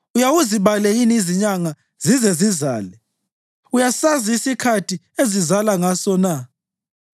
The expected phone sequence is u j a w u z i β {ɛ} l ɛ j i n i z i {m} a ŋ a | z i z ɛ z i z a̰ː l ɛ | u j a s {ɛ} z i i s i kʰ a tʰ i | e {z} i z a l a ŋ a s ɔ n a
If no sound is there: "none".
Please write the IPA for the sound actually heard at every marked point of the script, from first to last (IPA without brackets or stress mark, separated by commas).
a, ɲ, a, z